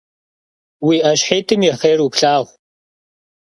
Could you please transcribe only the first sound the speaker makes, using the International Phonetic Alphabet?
w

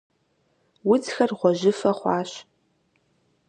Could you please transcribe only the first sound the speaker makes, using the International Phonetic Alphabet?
w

